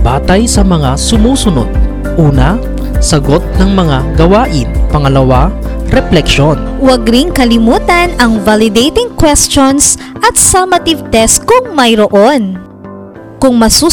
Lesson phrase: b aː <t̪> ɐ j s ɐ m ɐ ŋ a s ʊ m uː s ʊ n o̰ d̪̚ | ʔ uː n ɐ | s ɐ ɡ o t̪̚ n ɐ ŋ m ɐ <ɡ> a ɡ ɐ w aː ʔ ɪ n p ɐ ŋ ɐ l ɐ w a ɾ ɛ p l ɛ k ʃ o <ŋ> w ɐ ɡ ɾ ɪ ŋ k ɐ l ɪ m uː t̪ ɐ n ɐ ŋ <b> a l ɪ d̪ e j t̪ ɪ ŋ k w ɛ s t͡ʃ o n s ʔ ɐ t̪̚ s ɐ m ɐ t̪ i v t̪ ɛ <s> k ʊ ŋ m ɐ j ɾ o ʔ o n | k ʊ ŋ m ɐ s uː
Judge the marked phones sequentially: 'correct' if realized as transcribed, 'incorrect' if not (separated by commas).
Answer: correct, incorrect, incorrect, incorrect, correct